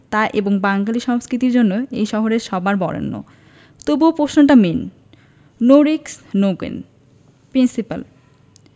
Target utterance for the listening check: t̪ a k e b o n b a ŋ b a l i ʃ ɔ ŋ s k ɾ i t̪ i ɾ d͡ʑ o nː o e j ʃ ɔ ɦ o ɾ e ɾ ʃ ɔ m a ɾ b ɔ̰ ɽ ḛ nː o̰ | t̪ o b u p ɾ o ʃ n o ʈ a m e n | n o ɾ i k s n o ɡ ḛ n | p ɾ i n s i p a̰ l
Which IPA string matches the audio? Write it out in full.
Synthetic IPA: t̪ a ʔ e b o ŋ b a ŋ ɡ a l i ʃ ɔ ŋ s k ɾ i t̪ i ɾ d͡ʑ o nː o e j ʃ ɔ ɦ o ɾ e ɾ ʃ ɔ b a ɾ b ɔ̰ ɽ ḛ nː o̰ | t̪ o b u p ɾ o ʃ n o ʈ a m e n | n o ɾ i k s n o ɡ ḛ n | p ɾ i n s i p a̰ l

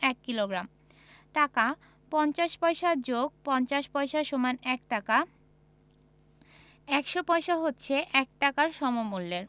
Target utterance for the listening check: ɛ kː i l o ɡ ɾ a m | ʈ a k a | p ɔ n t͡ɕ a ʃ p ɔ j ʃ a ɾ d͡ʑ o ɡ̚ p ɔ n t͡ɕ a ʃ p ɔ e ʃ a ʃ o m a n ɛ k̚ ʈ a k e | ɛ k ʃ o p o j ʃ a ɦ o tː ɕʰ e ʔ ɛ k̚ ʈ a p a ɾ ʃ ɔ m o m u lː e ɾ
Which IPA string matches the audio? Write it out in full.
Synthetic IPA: ɛ kː i l o ɡ ɾ a m | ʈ a k a | p ɔ n t͡ɕ a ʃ p ɔ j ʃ a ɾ d͡ʑ o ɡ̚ p ɔ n t͡ɕ a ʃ p ɔ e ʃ a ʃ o m a n ɛ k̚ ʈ a k a | ɛ k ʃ o p ɔ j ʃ a ɦ o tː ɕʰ e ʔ ɛ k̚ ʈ a k a ɾ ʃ ɔ m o m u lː e ɾ

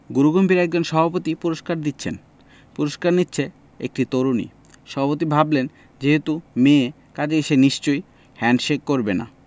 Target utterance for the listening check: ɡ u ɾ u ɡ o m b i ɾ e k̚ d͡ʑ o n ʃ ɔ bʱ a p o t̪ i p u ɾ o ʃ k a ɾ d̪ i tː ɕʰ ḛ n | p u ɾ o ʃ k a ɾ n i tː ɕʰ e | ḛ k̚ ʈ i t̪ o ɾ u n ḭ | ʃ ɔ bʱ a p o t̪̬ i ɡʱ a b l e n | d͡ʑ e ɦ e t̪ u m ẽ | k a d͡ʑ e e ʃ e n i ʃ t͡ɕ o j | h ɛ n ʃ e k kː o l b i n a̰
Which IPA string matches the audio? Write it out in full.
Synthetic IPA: ɡ u ɾ u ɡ o m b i ɾ ɛ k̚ d͡ʑ o n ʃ ɔ bʱ a p o t̪ i p u ɾ o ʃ k a ɾ d̪ i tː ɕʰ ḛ n | p u ɾ o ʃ k a ɾ n i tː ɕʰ e | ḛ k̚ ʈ i t̪ o ɾ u n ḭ | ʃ ɔ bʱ a p o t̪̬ i bʱ a b l e n | d͡ʑ e ɦ e t̪ u m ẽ | k a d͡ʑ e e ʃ e n i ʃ t͡ɕ o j | h ɛ n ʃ e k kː o ɾ b e n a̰

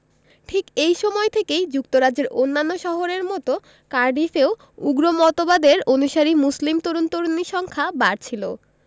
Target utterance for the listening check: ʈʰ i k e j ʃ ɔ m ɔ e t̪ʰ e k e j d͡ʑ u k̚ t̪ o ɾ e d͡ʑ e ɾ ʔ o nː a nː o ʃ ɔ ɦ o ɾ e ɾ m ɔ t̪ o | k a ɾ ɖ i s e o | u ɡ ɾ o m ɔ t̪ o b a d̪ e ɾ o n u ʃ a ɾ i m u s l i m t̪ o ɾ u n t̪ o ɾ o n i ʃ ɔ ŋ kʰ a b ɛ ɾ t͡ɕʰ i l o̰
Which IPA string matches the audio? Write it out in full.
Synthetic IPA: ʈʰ i k e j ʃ ɔ m ɔ e t̪ʰ e k e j d͡ʑ u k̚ t̪ o ɾ a d͡ʑ e ɾ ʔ o nː a nː o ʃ ɔ ɦ o ɾ e ɾ m ɔ t̪ o | k a ɾ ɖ i f e o | u ɡ ɾ o m ɔ t̪ o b a d̪ e ɾ o n u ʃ a ɾ i m u s l i m t̪ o ɾ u n t̪ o ɾ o n i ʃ ɔ ŋ kʰ a b a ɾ t͡ɕʰ i l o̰

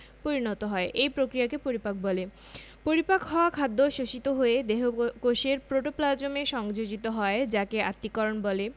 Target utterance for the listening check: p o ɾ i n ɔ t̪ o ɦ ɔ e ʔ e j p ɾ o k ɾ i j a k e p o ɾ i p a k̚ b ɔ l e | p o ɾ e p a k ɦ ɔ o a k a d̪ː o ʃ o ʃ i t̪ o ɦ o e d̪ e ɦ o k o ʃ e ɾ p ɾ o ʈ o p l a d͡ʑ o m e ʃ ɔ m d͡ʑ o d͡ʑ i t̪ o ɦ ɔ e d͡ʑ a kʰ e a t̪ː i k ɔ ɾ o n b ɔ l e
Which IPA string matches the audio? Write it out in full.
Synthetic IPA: p o ɾ i n ɔ t̪ o ɦ ɔ e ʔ e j p ɾ o k ɾ i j a k e p o ɾ i p a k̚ b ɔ l e | p o ɾ i p a k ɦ ɔ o a kʰ a d̪ː o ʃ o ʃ i t̪ o ɦ o e d̪ e ɦ o k o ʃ e ɾ p ɾ o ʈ o p l a d͡ʑ o m e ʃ ɔ ŋ d͡ʑ o d͡ʑ i t̪ o ɦ ɔ e d͡ʑ a k e a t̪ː i k ɔ ɾ o n b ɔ l e

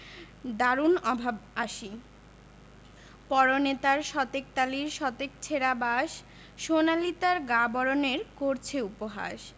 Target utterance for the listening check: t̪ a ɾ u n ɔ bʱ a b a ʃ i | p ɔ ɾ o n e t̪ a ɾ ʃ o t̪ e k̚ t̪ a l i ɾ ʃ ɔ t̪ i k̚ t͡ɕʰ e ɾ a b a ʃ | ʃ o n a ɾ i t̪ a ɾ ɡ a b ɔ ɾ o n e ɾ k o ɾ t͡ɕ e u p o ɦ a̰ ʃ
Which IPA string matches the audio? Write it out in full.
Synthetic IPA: d̪ a ɾ u n ɔ bʱ a b a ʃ i | p ɔ ɾ o n e t̪ a ɾ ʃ ɔ t̪ e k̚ t̪ a l i ɾ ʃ ɔ t̪ e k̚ t͡ɕʰ e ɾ a b a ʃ | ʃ o n a l i t̪ a ɾ ɡ a b ɔ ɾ o n e ɾ k o ɾ t͡ɕʰ e u p o ɦ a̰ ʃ

